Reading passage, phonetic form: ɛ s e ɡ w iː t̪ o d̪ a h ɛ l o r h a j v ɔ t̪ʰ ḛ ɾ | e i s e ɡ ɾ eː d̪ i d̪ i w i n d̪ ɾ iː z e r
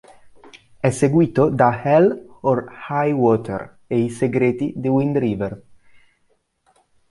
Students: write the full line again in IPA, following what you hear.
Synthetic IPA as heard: ɛ s e ɡ w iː t̪ o d̪ a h ɛ l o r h a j w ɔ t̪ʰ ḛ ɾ | e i s e ɡ ɾ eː t̪ i d̪ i w i n d̪ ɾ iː v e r